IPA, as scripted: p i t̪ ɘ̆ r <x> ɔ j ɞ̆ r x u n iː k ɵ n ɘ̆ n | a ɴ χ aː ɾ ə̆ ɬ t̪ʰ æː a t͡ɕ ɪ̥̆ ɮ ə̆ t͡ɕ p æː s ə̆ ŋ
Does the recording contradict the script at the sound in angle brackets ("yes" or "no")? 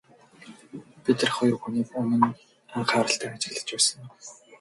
yes